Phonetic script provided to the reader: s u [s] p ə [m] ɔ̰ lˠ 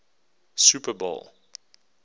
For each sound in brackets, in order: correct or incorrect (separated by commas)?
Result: incorrect, incorrect